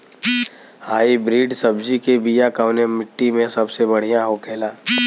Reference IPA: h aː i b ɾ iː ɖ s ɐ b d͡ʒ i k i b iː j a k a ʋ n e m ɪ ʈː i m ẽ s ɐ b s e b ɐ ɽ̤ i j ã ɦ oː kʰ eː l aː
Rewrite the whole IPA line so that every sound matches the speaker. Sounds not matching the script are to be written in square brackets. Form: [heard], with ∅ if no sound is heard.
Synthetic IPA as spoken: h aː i b ɾ iː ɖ s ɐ b d͡ʒ i k [e] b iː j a k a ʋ n e m ɪ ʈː i m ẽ s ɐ b s e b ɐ ɽ̤ i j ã ɦ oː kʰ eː l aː